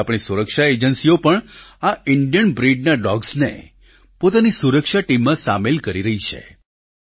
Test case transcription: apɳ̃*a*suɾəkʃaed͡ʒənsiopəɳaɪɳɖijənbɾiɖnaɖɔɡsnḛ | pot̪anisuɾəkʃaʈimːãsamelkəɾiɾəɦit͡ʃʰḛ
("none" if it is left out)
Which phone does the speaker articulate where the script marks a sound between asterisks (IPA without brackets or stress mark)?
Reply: i